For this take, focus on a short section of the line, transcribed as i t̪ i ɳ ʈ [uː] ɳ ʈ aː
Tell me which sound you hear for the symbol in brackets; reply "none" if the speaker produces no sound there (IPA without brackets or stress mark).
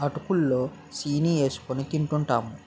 u